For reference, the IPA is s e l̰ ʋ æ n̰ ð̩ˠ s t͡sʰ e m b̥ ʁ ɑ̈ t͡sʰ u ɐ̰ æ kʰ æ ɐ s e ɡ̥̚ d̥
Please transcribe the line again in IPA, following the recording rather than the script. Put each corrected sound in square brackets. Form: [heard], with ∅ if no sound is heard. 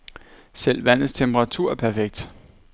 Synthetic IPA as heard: s e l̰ ʋ æ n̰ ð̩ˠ s t͡sʰ e m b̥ ʁ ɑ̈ t͡sʰ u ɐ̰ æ [pʰ] æ ɐ [f] e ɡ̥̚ d̥